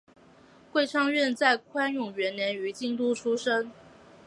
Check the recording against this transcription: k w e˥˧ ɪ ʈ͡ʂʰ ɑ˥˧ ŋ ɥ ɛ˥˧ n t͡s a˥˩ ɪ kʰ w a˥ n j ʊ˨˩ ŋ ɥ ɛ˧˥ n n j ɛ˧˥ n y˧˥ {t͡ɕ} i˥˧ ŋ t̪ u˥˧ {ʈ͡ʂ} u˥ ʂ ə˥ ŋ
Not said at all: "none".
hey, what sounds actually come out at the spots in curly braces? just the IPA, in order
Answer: t͡ɕ, ʈ͡ʂʰ

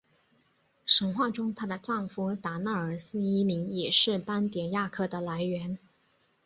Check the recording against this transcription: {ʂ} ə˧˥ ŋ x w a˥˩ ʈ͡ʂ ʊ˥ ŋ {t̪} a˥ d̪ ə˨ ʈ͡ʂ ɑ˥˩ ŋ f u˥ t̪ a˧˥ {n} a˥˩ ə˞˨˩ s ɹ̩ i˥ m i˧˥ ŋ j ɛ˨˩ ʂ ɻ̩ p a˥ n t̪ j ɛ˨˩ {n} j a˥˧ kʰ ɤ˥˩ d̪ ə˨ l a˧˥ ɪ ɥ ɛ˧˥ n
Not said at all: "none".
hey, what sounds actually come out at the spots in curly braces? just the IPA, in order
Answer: ʂ, t̪ʰ, n, n

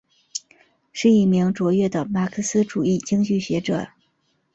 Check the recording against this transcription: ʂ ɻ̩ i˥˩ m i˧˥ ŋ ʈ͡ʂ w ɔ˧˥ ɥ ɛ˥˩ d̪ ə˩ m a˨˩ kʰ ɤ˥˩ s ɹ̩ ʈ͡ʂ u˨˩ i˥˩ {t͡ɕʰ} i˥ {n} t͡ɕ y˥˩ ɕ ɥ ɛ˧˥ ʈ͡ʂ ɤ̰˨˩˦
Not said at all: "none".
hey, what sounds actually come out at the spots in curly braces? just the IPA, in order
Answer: t͡ɕ, ŋ

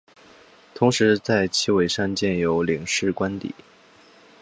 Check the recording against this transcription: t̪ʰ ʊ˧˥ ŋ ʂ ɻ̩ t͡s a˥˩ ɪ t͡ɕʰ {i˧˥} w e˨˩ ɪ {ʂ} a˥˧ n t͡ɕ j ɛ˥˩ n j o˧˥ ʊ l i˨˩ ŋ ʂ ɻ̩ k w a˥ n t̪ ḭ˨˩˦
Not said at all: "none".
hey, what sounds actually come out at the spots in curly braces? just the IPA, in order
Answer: i˥˩, ʂ

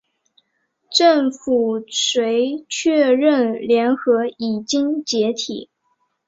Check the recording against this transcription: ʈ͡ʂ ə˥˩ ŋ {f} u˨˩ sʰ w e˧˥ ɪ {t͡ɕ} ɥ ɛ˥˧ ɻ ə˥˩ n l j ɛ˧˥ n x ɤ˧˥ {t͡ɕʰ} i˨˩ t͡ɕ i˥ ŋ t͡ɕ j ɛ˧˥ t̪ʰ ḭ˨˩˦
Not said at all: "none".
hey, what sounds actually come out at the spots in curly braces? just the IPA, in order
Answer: f, t͡ɕʰ, none

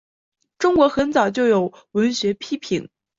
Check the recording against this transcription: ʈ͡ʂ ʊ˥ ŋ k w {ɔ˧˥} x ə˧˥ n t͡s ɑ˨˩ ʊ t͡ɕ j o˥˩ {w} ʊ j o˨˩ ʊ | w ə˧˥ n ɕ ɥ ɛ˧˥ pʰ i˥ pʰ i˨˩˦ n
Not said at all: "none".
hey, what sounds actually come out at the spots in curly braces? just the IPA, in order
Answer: ɔ˧˥, none

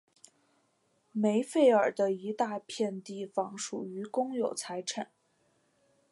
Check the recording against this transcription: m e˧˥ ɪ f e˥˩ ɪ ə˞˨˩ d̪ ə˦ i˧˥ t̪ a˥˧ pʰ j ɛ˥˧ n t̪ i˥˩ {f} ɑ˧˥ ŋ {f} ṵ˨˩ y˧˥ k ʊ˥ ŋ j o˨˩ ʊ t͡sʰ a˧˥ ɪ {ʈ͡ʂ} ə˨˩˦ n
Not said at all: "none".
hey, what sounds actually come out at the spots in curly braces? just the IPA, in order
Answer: f, ʂ, ʈ͡ʂʰ

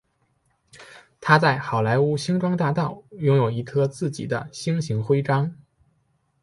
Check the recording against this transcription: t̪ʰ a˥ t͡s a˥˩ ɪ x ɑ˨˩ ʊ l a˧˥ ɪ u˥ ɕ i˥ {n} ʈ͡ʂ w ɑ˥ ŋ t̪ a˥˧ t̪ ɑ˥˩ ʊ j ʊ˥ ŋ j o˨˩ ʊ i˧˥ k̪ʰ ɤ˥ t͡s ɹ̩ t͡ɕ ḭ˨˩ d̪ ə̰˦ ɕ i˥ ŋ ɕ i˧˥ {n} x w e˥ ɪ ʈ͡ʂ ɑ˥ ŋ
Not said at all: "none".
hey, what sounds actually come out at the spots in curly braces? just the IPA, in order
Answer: ŋ, ŋ

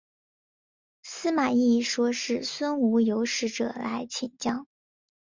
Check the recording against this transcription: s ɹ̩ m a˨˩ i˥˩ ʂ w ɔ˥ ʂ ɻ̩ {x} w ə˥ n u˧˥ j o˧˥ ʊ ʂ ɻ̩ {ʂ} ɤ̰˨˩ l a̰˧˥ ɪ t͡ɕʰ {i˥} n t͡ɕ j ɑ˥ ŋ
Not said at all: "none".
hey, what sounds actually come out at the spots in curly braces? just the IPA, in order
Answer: s, ʈ͡ʂ, i˨˩

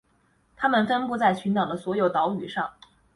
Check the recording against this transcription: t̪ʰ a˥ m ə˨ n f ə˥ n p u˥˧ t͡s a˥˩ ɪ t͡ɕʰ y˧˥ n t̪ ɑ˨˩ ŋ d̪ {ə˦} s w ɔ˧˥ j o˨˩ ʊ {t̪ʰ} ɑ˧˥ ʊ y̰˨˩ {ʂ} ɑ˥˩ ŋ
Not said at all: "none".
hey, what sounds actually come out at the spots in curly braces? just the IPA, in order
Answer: ə˦, t̪, ʂ

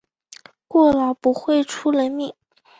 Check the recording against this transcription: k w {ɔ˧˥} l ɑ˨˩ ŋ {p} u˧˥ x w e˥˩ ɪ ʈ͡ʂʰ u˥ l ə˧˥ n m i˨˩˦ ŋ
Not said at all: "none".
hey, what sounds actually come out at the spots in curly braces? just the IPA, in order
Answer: ɔ˥˩, p

